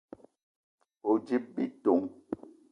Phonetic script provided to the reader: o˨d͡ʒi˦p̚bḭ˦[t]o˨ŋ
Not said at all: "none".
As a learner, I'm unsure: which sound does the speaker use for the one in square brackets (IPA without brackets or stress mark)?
t